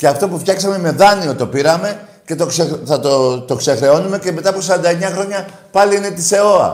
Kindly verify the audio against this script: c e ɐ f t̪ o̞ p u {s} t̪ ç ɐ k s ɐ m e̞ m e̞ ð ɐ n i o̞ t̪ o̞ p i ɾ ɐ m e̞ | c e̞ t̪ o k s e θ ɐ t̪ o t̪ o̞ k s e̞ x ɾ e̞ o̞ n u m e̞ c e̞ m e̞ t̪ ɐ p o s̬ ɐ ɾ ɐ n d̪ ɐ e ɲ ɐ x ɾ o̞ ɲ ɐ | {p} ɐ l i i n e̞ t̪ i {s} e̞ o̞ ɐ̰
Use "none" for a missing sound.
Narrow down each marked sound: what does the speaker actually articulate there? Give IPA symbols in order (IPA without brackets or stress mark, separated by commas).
f, p, s